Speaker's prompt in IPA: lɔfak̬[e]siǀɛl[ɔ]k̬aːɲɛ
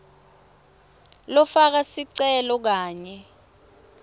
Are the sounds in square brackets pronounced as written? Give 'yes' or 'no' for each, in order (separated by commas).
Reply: no, yes